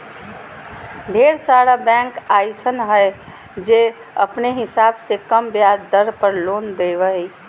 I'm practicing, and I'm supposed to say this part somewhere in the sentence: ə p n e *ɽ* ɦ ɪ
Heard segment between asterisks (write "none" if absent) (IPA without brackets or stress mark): none